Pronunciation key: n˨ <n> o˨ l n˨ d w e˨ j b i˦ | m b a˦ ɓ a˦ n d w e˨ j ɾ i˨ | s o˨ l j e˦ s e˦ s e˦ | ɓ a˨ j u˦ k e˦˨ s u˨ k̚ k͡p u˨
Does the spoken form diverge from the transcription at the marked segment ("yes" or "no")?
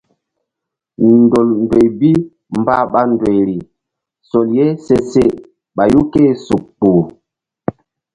yes